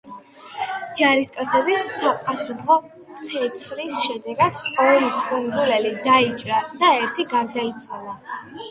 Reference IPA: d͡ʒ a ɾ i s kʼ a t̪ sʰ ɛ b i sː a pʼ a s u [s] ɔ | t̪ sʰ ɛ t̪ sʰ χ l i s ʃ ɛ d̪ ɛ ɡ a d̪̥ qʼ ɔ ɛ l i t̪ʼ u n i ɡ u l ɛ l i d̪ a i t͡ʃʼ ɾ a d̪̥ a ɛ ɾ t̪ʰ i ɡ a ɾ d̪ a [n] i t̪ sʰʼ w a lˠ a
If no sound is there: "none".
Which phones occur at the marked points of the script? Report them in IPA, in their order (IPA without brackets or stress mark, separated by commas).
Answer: χ, none